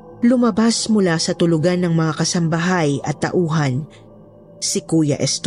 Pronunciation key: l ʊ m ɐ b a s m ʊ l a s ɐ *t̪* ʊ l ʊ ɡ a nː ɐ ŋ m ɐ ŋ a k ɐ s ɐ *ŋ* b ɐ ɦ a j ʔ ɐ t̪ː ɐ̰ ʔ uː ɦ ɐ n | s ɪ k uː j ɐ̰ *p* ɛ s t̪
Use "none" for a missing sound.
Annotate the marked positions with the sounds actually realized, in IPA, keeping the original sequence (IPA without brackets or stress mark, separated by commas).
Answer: t̪, m, ʔ